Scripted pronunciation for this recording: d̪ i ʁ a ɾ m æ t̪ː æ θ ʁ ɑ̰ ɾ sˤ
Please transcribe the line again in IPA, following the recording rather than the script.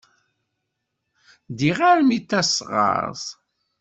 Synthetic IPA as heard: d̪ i ʁ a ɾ m i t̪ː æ s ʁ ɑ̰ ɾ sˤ